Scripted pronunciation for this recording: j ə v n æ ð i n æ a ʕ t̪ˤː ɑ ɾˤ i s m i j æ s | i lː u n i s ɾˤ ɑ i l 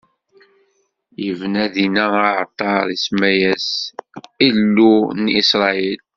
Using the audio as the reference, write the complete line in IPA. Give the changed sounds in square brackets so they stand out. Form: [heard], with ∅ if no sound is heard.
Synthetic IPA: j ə v n æ ð i n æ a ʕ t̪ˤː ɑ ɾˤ i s m [æ] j æ s | i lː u n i s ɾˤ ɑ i l